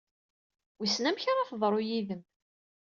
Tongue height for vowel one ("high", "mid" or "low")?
high